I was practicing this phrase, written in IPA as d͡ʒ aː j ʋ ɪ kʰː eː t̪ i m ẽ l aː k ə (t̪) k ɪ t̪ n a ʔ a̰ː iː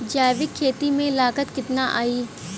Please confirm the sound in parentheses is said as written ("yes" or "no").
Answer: yes